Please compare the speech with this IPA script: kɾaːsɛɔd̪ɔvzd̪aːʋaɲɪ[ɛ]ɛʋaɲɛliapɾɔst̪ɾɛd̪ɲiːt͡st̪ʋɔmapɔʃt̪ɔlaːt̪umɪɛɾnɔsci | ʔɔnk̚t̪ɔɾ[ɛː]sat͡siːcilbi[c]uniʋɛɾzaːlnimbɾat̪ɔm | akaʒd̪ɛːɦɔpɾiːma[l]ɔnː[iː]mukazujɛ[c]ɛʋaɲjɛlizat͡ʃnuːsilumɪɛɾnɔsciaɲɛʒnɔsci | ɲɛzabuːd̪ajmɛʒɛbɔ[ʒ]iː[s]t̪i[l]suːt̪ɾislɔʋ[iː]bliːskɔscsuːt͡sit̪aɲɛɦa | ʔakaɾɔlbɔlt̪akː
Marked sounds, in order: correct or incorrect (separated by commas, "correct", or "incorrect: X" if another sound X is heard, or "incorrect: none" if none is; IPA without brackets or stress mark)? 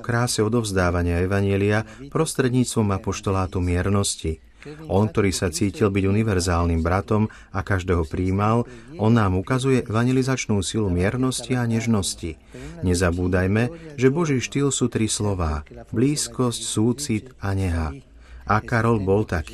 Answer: incorrect: a, incorrect: iː, incorrect: ɟ, correct, incorrect: aː, incorrect: ʔ, correct, incorrect: ʃ, correct, incorrect: aː